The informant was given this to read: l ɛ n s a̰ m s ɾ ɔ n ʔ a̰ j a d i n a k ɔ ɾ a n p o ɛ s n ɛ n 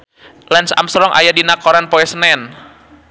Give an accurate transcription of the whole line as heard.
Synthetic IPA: l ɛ n s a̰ m s ɾ ɔ ŋ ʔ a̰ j a d i n a k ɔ ɾ a n p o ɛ s n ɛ n

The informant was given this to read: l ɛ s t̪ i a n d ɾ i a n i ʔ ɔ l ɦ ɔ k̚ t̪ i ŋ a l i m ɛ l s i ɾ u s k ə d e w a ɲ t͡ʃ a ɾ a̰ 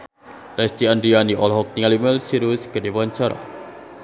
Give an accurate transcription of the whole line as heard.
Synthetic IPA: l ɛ s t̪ i a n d ɾ i a n i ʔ ɔ l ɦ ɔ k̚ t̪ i ŋ a l i m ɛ l s i ɾ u s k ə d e w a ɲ t͡ʃ a ɾ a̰

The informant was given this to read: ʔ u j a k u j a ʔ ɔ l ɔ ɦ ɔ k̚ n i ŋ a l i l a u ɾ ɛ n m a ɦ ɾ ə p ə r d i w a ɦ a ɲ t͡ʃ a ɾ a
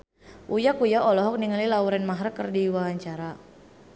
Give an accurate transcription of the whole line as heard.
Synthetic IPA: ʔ u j a k u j a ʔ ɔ l ɔ ɦ ɔ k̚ n i ŋ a l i l a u ɾ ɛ n m a ɦ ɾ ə k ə r d i w a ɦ a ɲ t͡ʃ a ɾ a

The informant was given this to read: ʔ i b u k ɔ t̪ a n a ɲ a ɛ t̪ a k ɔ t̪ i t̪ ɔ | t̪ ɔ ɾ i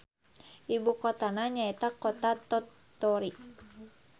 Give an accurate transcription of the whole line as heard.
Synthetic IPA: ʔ i b u k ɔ t̪ a n a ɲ a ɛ t̪ a k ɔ t̪ a t̪ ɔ | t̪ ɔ ɾ i

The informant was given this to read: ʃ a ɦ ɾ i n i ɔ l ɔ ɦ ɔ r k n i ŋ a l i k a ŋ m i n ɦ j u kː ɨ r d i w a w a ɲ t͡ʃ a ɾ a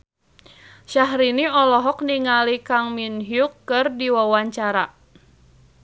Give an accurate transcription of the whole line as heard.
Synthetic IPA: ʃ a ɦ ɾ i n i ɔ l ɔ ɦ ɔ k n i ŋ a l i k a ŋ m i n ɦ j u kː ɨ r d i w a w a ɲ t͡ʃ a ɾ a

